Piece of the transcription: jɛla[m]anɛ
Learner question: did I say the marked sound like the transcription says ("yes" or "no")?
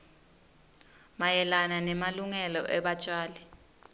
no